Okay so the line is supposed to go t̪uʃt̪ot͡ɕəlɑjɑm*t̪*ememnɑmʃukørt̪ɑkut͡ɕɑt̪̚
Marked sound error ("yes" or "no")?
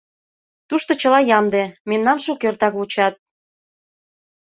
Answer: yes